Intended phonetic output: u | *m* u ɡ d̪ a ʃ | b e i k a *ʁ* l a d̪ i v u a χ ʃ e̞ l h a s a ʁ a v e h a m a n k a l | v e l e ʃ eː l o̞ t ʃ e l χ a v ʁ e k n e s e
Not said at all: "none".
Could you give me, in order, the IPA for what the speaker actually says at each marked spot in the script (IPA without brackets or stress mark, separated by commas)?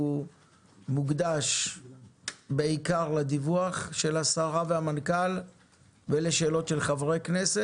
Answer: m, ʁ